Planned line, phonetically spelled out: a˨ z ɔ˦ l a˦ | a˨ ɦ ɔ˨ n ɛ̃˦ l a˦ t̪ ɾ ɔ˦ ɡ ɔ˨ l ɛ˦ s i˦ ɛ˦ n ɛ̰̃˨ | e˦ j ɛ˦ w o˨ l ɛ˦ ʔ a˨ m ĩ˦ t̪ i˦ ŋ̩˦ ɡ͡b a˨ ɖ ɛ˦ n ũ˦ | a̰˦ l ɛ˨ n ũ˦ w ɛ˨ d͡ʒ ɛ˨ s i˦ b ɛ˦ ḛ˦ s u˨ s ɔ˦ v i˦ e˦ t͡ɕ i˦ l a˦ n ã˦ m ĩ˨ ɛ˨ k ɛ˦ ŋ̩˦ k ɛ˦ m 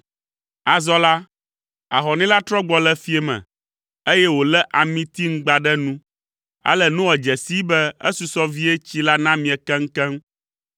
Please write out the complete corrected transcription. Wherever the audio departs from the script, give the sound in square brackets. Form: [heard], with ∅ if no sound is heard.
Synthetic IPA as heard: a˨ z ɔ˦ l a˦ | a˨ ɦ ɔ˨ n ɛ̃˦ l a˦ t̪ ɾ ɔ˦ [ɡ͡b] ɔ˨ l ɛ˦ [f] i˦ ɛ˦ [m] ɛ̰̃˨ | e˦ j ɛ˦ w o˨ l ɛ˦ ʔ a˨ m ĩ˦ t̪ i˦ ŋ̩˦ ɡ͡b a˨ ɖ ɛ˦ n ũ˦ | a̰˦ l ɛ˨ n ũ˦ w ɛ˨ d͡ʒ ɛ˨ s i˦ b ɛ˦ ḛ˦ s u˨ s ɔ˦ v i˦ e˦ t͡ɕ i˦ l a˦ n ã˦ m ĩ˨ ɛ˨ k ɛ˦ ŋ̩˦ k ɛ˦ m

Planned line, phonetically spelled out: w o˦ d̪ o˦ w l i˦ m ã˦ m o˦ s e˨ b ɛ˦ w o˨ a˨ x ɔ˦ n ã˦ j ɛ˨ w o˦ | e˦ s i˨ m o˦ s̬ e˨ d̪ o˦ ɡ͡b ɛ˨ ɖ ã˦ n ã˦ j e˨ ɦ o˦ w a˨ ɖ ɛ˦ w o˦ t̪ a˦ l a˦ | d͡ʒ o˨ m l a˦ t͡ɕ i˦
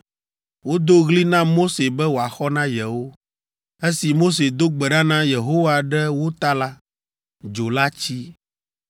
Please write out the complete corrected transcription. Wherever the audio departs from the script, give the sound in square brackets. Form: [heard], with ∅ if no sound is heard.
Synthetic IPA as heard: w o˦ d̪ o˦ [ɣ] l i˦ [n] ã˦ m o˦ s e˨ b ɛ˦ w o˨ a˨ x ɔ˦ n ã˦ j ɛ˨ w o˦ | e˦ s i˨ m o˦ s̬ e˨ d̪ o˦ ɡ͡b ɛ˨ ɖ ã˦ n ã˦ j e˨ ɦ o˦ w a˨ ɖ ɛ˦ w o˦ t̪ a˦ l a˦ | d͡ʒ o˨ [∅] l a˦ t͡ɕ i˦

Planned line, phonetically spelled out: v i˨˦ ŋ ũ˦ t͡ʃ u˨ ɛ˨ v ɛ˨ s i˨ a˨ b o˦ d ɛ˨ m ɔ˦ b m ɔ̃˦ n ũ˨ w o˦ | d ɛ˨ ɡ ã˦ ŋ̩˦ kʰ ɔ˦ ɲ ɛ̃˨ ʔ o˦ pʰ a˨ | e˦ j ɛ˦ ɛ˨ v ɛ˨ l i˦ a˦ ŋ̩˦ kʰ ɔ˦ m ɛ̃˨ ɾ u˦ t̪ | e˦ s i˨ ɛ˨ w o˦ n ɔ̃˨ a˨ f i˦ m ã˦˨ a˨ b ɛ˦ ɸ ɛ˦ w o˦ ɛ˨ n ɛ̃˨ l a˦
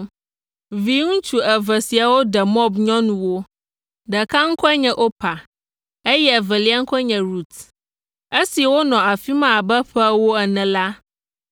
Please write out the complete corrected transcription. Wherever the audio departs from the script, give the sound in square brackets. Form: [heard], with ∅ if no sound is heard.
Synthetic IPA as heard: v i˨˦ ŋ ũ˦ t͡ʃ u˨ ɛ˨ v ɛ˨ s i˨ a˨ [w] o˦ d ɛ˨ m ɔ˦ b [ɲ] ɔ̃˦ n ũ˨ w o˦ | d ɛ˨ [k] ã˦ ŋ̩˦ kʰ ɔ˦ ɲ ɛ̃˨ ʔ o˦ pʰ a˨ | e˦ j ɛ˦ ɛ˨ v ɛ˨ l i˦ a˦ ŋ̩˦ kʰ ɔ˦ [ɲ] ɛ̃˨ ɾ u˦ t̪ | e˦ s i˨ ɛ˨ w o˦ n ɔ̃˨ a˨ f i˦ m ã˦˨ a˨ b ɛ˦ ɸ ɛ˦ w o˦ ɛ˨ n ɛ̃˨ l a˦

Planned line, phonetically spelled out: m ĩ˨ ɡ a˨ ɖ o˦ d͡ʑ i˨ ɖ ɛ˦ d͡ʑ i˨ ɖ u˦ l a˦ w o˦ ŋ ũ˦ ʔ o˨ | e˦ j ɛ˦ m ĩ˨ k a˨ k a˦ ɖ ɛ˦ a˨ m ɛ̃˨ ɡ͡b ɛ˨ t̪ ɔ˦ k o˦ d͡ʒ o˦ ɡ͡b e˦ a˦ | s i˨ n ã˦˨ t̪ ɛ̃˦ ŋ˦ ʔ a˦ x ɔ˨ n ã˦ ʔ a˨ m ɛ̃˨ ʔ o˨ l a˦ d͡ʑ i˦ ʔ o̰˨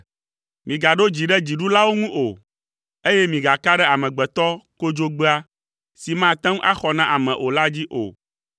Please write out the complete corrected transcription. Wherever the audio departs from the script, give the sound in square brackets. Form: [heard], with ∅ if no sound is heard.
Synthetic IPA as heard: m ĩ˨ ɡ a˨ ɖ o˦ d͡ʑ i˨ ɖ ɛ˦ d͡ʑ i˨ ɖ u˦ l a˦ w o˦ ŋ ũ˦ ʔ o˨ | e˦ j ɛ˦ m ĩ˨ [ɡ] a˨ k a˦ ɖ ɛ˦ a˨ m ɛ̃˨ ɡ͡b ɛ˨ t̪ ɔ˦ k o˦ d͡ʒ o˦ ɡ͡b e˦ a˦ | s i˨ [m] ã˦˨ t̪ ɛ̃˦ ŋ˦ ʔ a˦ x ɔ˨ n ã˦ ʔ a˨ m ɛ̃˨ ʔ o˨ l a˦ d͡ʑ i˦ ʔ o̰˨

